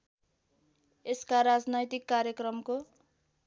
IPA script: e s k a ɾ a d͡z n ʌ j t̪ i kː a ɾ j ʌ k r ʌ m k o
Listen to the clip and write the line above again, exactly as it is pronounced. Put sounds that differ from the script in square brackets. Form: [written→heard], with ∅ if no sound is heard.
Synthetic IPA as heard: e s k a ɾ a d͡z n ʌ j t̪ i kː a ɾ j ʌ k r ʌ m k o